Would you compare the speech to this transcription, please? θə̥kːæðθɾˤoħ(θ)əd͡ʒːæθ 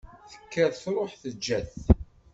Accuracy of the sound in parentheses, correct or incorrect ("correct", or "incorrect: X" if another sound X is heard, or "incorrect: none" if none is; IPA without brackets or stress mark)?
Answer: correct